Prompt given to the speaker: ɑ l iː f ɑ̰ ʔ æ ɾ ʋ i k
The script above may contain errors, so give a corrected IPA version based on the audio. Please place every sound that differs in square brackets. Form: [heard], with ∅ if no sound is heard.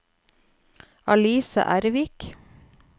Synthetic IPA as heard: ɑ l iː [s] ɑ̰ ʔ æ ɾ ʋ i k